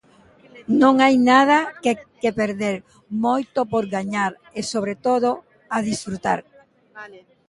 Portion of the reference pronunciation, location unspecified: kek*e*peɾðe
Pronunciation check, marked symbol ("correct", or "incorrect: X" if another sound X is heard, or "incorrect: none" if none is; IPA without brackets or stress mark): correct